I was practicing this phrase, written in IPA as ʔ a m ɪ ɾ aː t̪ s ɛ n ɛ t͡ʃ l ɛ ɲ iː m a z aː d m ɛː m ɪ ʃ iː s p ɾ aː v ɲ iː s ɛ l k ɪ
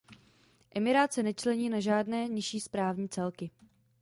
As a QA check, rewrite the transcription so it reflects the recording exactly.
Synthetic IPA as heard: ʔ ɛ m ɪ ɾ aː t̪ s ɛ n ɛ t͡ʃ l ɛ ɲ iː n a ʒ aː d n ɛː ɲ ɪ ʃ iː s p ɾ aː v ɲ iː t͡s ɛ l k ɪ